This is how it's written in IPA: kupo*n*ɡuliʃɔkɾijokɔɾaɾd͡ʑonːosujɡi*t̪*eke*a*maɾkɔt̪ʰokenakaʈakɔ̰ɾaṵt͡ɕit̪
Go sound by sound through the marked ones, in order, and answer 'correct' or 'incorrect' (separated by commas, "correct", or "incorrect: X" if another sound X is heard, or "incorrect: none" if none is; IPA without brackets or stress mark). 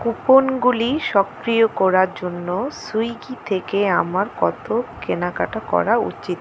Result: correct, incorrect: t̪ʰ, correct